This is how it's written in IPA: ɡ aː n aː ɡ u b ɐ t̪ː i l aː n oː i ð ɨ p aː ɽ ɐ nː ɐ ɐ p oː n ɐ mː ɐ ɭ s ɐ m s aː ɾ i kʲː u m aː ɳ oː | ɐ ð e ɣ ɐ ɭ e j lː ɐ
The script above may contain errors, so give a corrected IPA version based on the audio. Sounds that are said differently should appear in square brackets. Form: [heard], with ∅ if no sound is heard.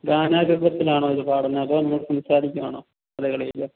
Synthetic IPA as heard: ɡ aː n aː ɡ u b ɐ t̪ː i l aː [ɳ] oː i ð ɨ p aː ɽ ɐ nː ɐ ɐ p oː n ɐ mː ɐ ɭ s ɐ m s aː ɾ i kʲː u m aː ɳ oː | ɐ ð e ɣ ɐ ɭ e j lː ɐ